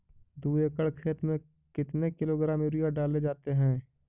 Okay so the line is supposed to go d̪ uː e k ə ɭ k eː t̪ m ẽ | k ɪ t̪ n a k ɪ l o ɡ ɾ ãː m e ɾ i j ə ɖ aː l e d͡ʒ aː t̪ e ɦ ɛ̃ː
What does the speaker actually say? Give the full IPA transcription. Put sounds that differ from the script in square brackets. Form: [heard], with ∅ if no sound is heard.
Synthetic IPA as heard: d̪ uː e k ə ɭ [kʰ] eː t̪ m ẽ | k ɪ t̪ n [e] k ɪ l o ɡ ɾ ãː m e ɾ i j [a] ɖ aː l e d͡ʒ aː t̪ e ɦ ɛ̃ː